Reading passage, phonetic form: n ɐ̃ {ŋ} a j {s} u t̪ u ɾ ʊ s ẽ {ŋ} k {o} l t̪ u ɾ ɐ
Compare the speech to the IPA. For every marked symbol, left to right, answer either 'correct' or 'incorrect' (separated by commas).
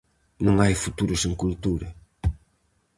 correct, incorrect, correct, incorrect